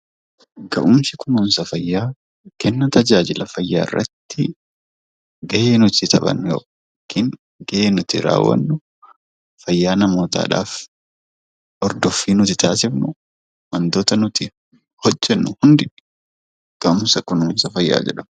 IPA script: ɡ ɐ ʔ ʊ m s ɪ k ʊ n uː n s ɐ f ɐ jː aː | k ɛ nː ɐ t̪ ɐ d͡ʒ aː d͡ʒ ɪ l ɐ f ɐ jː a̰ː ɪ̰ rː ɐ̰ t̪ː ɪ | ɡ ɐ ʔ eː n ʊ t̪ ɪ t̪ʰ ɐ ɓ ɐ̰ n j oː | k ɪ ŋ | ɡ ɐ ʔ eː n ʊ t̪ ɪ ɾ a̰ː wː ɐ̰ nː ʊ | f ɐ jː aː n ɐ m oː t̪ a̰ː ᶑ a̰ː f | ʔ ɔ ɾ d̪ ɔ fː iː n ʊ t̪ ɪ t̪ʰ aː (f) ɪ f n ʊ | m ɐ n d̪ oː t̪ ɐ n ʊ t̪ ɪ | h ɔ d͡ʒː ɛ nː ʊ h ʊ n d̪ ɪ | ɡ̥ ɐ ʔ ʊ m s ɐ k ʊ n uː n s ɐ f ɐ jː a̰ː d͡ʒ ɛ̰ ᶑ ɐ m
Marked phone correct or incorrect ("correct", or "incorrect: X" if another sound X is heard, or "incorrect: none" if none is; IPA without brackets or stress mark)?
incorrect: s